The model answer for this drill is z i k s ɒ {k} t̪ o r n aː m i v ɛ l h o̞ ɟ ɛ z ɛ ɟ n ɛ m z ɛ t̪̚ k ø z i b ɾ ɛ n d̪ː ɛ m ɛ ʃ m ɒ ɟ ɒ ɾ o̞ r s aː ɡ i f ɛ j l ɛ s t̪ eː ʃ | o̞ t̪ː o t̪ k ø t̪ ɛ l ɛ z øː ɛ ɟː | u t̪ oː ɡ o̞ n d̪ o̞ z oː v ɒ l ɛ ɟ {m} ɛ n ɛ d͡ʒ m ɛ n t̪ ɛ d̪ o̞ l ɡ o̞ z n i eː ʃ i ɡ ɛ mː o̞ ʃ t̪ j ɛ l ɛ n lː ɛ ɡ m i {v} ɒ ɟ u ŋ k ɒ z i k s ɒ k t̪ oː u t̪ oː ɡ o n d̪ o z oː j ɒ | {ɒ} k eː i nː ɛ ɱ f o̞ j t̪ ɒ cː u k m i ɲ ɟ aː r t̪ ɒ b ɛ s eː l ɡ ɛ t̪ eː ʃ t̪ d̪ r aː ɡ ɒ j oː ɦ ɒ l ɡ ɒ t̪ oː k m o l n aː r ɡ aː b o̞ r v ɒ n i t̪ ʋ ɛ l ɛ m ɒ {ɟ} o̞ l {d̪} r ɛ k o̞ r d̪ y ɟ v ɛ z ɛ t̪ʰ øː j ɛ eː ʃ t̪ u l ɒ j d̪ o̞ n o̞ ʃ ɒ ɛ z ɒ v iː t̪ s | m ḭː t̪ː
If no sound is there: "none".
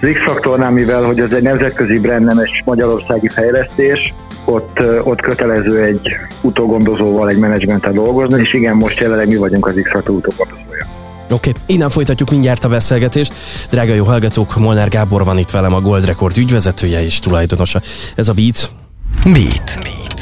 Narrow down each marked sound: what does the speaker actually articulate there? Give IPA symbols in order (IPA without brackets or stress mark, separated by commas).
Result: k, m, v, o, ɡ, d̪